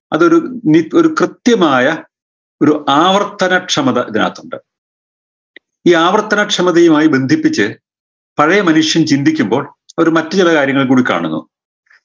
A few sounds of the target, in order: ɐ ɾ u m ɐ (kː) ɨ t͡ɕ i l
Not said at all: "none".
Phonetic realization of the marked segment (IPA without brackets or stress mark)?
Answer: tː